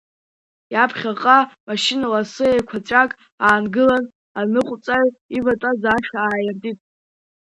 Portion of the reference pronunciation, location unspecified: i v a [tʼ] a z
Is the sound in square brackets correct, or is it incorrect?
correct